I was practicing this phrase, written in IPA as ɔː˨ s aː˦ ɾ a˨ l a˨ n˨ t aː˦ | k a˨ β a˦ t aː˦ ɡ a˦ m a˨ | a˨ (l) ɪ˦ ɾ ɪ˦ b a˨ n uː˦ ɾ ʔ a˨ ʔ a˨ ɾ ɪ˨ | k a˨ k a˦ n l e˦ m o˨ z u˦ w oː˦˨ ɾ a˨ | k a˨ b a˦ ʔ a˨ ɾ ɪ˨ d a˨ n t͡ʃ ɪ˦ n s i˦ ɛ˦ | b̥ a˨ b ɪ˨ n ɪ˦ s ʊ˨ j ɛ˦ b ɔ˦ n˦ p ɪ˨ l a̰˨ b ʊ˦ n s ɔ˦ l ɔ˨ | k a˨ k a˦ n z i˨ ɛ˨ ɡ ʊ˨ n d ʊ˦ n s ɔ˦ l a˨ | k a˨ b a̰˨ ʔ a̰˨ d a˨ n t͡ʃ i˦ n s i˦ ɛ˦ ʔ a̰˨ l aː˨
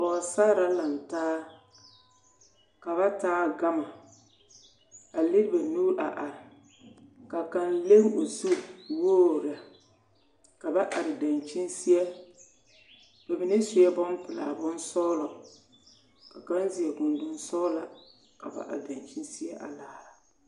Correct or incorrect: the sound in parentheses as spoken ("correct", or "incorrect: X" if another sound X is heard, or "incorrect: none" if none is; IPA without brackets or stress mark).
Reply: correct